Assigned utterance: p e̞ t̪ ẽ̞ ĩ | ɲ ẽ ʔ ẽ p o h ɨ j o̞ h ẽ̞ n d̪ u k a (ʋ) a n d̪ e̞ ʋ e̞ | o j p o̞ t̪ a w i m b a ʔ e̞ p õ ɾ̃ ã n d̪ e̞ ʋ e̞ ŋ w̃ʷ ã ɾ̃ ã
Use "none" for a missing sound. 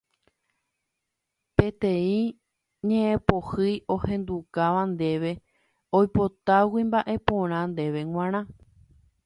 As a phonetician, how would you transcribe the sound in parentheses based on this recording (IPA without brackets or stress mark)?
ʋ